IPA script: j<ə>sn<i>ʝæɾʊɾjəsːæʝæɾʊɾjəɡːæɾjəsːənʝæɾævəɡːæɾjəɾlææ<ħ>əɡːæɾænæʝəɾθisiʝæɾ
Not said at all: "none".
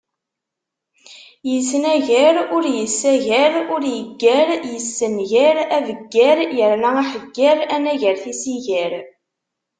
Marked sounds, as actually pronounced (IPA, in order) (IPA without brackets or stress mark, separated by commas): ə, æ, ħ